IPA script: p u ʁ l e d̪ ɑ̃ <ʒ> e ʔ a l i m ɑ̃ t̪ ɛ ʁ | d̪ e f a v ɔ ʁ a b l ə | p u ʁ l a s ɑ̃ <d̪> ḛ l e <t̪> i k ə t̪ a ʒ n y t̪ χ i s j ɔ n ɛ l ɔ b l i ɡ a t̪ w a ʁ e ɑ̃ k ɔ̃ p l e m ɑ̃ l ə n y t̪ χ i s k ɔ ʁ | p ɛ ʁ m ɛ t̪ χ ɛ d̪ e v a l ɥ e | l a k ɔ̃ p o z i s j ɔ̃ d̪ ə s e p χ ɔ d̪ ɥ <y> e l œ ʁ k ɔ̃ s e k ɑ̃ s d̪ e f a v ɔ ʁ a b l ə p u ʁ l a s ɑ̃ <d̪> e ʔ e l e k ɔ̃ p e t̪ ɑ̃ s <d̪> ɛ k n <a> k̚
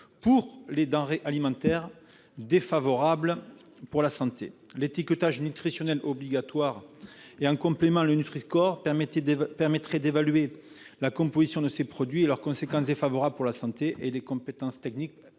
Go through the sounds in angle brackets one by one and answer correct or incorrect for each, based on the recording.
incorrect: ʁ, incorrect: t̪, correct, incorrect: i, incorrect: t̪, incorrect: t̪, incorrect: i

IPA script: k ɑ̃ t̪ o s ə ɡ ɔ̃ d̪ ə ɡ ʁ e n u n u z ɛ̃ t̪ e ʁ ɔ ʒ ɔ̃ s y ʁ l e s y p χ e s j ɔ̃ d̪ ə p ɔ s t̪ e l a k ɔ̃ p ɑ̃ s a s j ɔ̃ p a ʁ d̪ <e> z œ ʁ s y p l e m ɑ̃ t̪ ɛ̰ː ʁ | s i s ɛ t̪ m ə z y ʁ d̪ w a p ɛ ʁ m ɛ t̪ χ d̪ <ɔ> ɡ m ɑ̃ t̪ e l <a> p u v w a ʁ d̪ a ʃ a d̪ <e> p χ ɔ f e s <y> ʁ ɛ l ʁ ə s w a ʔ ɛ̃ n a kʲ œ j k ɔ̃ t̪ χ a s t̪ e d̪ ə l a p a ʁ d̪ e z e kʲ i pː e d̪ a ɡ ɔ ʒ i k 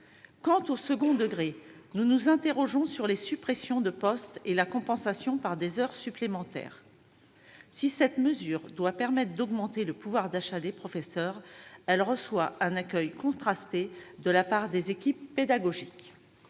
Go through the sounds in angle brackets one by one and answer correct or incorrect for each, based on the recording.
correct, correct, incorrect: ə, correct, incorrect: œ

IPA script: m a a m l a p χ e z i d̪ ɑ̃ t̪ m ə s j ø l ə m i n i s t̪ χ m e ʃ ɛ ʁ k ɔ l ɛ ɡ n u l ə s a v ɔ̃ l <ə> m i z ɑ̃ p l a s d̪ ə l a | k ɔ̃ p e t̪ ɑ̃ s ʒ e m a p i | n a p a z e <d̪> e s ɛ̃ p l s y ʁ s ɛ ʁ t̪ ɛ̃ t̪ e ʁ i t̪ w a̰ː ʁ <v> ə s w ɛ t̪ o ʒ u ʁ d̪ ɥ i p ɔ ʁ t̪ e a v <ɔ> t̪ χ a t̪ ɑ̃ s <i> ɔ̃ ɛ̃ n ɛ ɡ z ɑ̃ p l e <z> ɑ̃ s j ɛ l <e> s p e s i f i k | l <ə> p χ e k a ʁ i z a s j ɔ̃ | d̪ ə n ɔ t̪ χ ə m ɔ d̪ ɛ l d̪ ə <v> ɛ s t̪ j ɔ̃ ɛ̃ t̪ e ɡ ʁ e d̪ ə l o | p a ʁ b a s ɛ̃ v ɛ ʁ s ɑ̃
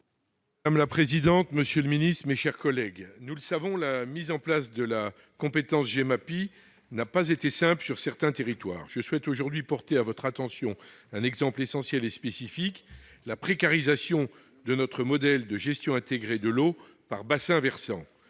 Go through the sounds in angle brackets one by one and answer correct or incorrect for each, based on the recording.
incorrect: a, incorrect: t̪, incorrect: ʒ, correct, incorrect: j, incorrect: s, correct, incorrect: a, incorrect: ʒ

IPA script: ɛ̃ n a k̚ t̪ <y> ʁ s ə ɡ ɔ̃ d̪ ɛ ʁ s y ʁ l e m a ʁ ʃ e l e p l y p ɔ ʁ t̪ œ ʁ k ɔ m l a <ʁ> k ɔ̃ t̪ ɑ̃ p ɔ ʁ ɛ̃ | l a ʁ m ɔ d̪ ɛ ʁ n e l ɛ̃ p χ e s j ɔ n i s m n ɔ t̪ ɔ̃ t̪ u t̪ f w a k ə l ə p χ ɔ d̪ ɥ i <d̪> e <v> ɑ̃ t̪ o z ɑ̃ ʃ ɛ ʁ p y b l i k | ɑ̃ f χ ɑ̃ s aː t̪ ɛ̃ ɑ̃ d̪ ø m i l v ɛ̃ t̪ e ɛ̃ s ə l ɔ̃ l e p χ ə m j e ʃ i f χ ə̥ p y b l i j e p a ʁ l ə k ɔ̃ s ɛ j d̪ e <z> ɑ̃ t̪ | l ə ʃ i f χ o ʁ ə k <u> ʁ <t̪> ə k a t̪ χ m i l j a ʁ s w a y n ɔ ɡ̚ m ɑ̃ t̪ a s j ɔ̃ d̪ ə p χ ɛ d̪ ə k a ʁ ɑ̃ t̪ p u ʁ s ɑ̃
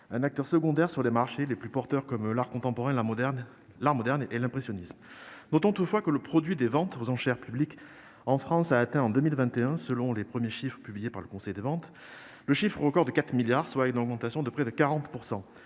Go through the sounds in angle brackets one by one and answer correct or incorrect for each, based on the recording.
incorrect: œ, correct, correct, correct, incorrect: v, incorrect: ɔ, incorrect: d̪

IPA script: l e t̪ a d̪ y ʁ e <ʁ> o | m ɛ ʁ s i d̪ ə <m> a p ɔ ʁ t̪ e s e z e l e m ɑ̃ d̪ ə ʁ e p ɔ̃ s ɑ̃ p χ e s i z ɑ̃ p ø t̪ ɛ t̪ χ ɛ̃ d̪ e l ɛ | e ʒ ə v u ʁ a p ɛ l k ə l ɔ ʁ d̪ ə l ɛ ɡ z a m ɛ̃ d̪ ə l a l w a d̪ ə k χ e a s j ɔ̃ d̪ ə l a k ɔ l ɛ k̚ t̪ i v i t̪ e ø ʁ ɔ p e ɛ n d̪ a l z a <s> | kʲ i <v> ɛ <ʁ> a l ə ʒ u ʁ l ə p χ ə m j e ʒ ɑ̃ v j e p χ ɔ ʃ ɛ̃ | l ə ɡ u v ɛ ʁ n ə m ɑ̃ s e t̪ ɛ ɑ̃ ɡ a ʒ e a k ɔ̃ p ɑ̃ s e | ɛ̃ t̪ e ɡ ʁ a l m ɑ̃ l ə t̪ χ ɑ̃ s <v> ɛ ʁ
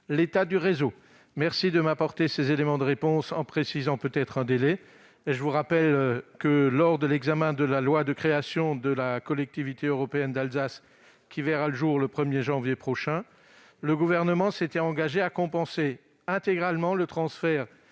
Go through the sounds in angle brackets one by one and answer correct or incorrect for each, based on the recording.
incorrect: z, correct, correct, correct, correct, incorrect: f

